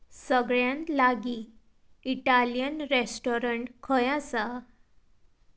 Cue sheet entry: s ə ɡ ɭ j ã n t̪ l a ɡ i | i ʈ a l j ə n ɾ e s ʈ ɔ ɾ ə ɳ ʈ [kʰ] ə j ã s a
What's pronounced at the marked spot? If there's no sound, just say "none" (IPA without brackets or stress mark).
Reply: kʰ